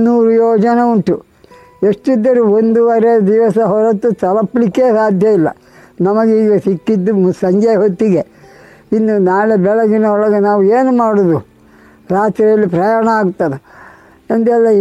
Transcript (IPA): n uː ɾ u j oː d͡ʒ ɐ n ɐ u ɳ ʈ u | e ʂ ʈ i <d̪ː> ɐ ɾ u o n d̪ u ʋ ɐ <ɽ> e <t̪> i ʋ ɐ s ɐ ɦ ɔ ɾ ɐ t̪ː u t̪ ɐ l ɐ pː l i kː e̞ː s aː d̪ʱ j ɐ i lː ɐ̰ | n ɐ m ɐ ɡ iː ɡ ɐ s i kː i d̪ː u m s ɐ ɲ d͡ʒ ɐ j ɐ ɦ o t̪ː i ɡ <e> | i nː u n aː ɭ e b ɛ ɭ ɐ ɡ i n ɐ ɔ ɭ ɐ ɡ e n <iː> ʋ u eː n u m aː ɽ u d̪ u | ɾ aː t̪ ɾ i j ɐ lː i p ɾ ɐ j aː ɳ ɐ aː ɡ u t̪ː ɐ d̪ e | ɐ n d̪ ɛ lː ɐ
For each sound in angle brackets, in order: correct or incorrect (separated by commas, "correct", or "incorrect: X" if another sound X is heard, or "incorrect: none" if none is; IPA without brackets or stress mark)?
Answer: correct, incorrect: ɾ, incorrect: d̪, correct, incorrect: aː